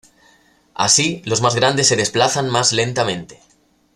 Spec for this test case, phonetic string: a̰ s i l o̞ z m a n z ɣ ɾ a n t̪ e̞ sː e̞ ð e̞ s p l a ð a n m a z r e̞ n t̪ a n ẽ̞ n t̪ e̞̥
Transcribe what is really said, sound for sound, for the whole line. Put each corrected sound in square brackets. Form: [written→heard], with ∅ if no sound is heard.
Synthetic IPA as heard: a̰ s i l o̞ z m a [n→∅] z ɣ ɾ a n [t̪→d̪] e̞ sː e̞ ð e̞ s p l a [ð→θ] a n m a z [r→l] e̞ n t̪ a [n→m] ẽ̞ n t̪ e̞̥